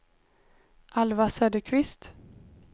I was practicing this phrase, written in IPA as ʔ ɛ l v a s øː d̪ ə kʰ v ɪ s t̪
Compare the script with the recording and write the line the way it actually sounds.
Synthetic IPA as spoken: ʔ a l v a s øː d̪ ə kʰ v ɪ s t̪